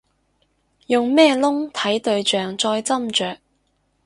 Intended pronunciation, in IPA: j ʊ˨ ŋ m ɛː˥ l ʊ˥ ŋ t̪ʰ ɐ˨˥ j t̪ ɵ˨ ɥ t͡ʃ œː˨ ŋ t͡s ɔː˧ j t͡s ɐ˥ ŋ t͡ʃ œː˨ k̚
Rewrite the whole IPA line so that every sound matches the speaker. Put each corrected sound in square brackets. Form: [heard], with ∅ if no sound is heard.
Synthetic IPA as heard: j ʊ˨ ŋ m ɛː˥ l ʊ˥ ŋ t̪ʰ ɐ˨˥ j t̪ ɵ˨ ɥ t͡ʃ œː˨ ŋ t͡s ɔː˧ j t͡s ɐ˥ [m] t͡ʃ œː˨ k̚